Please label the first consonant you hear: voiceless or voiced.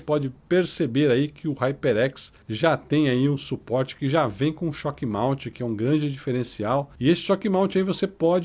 voiceless